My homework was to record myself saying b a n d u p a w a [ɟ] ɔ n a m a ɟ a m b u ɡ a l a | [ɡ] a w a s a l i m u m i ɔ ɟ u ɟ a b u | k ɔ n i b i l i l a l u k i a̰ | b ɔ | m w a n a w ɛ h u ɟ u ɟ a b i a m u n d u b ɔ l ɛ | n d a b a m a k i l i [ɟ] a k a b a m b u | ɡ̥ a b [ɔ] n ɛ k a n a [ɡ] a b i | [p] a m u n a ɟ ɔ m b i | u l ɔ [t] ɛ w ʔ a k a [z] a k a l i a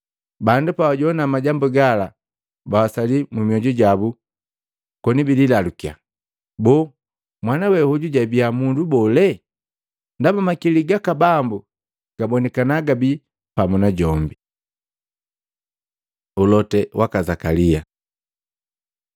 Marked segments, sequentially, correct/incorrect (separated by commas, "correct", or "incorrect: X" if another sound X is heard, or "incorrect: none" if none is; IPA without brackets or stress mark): correct, incorrect: b, incorrect: ɡ, correct, correct, correct, correct, correct